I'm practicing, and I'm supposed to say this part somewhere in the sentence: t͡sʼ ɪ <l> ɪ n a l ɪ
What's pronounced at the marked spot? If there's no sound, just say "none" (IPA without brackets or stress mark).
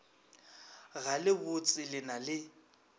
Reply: l